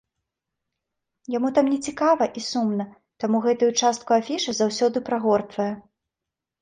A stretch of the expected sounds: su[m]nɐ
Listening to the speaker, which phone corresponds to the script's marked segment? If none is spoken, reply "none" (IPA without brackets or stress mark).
m